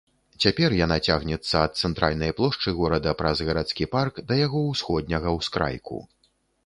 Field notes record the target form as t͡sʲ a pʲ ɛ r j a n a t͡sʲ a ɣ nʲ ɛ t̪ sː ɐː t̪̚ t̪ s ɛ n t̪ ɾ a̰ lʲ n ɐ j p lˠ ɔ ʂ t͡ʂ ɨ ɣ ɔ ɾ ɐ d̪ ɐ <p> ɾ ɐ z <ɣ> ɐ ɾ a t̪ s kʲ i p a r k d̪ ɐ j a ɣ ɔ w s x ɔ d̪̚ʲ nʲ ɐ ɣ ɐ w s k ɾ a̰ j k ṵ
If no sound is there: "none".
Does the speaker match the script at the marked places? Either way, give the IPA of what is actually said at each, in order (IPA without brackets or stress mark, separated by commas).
p, ɣ